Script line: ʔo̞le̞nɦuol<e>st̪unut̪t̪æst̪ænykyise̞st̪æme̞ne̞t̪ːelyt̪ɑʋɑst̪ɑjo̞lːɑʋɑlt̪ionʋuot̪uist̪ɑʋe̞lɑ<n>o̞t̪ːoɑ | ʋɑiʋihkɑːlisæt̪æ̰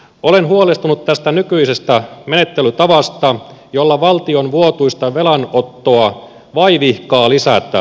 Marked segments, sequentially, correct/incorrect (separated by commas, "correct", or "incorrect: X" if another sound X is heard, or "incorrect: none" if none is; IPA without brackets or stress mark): correct, correct